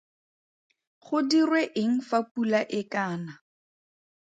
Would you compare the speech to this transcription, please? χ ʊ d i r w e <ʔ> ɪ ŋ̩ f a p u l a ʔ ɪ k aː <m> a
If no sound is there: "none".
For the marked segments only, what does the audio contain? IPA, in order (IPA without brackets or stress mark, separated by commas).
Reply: ʔ, n